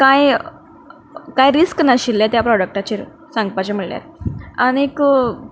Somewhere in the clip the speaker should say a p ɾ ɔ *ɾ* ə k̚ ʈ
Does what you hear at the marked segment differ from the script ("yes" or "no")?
yes